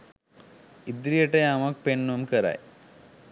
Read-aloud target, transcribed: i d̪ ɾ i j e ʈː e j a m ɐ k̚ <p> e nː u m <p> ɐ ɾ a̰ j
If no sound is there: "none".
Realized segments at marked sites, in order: p, k

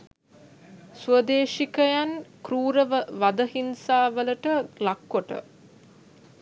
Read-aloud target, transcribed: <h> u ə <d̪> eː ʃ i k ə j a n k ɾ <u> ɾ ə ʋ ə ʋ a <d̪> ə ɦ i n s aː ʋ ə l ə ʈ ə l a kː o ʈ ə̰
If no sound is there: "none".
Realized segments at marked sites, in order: s, d̪, uː, d̪

